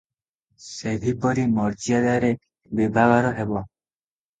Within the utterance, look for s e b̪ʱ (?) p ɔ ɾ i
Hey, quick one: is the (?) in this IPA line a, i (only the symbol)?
i